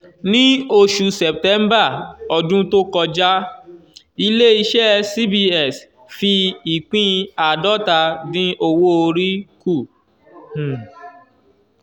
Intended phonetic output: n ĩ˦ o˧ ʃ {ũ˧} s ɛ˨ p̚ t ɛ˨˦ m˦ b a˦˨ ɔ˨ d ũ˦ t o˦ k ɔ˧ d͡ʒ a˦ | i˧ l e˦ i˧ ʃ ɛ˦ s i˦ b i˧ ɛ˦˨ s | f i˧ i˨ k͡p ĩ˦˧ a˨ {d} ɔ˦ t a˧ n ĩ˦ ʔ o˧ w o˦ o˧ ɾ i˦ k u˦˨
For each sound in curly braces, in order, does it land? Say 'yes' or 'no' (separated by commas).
no, yes